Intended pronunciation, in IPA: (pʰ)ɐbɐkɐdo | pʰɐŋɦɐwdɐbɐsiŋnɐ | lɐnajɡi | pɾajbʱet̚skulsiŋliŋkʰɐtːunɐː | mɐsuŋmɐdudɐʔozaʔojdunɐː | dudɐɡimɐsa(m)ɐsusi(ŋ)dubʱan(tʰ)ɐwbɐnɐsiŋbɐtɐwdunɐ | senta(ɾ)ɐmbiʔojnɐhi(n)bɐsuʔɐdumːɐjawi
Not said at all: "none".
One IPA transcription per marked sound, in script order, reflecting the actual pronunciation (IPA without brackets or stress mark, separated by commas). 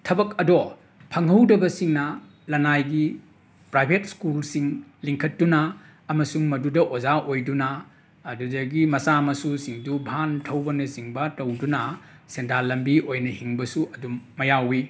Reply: tʰ, m, ŋ, tʰ, l, ŋ